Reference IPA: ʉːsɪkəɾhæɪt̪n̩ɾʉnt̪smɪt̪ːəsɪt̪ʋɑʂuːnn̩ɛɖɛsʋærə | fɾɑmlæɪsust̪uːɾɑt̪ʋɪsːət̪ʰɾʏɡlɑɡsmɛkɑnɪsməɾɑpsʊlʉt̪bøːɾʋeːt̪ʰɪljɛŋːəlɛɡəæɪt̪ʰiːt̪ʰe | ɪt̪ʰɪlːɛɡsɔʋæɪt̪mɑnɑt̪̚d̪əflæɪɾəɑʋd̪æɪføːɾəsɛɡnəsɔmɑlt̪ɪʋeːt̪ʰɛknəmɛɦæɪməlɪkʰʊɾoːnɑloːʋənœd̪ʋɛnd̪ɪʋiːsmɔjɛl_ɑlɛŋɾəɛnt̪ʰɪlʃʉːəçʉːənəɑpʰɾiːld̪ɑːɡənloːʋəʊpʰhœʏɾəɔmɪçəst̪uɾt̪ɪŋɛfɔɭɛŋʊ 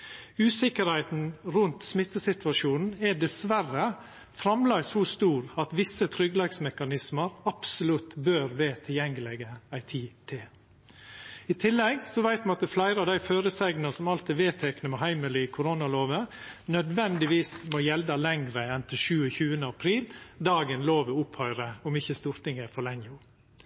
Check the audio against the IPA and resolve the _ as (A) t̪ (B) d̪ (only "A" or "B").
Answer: B